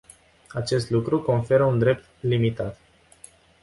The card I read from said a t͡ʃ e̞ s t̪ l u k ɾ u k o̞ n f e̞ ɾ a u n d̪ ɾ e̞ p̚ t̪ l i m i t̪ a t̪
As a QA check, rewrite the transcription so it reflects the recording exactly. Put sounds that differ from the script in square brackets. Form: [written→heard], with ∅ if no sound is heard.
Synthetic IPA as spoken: a t͡ʃ e̞ s t̪ l u k ɾ u k o̞ n f e̞ ɾ [a→ə] u n d̪ ɾ e̞ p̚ t̪ l i m i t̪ a t̪